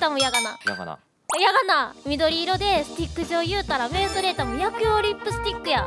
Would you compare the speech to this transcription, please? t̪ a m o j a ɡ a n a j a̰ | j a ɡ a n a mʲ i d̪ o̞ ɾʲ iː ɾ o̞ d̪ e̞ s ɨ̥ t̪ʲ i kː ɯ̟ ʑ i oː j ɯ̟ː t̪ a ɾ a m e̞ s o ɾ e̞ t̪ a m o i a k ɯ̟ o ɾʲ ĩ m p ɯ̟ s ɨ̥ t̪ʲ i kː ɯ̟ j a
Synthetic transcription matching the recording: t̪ a m o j a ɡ a n a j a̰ | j a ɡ a n a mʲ i d̪ o̞ ɾʲ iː ɾ o̞ d̪ e̞ s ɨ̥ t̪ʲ i kː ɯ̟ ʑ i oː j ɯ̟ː t̪ a ɾ a m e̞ s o ɾ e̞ t̪ a m o j a k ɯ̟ o ɾʲ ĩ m p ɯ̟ s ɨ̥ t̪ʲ i kː ɯ̟ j a